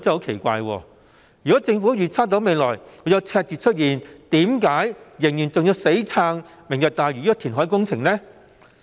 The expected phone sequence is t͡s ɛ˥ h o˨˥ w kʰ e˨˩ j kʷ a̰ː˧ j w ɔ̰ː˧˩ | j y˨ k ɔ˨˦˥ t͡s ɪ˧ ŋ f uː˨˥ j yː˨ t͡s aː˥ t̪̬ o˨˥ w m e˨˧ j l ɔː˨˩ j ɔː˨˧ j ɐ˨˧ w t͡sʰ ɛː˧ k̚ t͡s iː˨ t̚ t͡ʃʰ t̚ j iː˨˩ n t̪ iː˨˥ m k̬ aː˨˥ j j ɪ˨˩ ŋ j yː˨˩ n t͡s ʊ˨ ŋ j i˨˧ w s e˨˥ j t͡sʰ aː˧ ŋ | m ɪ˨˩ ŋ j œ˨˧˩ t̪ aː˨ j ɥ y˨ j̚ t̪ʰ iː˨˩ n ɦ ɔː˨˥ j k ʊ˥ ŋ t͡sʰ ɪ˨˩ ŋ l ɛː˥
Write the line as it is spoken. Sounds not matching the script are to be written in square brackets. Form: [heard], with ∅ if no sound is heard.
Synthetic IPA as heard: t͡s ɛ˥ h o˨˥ w kʰ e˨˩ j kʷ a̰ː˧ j w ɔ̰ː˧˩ | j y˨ k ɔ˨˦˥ t͡s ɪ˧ ŋ f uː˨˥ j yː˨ [t͡sʰ] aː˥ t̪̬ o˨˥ w m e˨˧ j l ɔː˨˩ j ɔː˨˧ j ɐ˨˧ w t͡sʰ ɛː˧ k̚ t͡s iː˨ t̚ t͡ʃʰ t̚ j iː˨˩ n t̪ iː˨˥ m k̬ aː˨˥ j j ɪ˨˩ ŋ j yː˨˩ n t͡s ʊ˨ ŋ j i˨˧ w s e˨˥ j t͡sʰ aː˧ ŋ | m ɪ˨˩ ŋ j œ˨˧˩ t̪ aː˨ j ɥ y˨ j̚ t̪ʰ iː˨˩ n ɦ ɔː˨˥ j k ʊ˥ ŋ t͡sʰ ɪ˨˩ ŋ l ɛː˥